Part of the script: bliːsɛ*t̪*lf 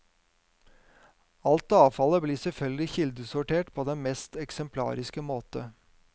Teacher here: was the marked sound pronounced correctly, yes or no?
no